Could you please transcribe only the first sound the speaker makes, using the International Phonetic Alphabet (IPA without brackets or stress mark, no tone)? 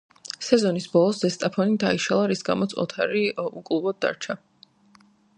s